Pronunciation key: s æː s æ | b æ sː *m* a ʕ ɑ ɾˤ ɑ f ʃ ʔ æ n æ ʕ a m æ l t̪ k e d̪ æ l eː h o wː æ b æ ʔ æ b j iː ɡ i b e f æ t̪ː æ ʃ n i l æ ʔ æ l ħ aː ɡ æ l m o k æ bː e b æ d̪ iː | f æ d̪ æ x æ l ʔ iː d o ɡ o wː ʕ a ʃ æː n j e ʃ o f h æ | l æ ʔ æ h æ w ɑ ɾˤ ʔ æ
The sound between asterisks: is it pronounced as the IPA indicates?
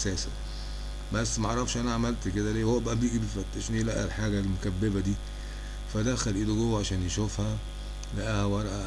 yes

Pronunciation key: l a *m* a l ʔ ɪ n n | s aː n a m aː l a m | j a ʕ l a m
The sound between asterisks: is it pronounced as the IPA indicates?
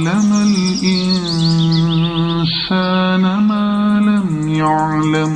yes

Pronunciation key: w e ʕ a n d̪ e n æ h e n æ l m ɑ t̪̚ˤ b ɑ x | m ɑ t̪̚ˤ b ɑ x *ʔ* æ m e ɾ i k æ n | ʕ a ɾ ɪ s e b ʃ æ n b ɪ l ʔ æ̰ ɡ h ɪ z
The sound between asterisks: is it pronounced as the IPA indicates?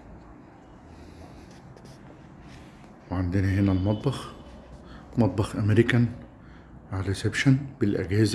yes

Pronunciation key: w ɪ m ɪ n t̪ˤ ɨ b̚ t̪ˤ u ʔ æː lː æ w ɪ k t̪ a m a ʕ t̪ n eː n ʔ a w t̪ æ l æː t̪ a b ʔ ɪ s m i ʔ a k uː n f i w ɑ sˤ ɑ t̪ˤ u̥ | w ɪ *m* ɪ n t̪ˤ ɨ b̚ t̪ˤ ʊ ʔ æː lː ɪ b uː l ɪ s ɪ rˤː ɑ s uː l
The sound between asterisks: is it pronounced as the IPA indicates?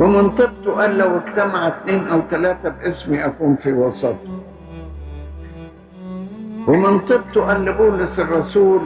yes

